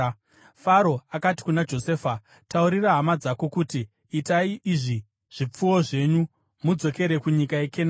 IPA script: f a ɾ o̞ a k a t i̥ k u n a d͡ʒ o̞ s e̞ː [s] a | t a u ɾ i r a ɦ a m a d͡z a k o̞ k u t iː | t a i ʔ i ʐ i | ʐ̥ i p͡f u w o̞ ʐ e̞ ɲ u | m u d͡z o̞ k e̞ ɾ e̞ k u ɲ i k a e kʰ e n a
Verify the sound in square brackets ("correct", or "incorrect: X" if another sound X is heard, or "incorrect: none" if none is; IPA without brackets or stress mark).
incorrect: f